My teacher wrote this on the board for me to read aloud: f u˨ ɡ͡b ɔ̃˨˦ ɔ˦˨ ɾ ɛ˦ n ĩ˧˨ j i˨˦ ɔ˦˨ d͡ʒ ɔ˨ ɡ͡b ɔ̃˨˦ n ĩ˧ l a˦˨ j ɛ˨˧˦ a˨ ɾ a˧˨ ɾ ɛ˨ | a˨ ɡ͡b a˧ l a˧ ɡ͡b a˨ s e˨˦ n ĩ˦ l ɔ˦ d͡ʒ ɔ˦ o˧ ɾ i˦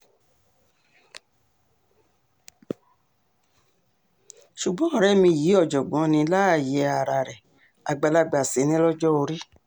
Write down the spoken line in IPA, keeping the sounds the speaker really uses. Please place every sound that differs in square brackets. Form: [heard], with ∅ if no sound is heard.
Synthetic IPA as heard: [ʃ] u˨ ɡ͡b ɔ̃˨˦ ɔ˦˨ ɾ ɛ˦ [m] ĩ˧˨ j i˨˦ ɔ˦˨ d͡ʒ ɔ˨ ɡ͡b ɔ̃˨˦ n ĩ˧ l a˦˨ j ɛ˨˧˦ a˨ ɾ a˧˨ ɾ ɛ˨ | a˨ ɡ͡b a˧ l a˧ ɡ͡b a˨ s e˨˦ n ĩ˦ l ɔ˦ d͡ʒ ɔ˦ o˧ ɾ i˦